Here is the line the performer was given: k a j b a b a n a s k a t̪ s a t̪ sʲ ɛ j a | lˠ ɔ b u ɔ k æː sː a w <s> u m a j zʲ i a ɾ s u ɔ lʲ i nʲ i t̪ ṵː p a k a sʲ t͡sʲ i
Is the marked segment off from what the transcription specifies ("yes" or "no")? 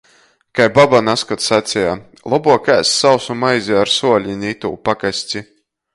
no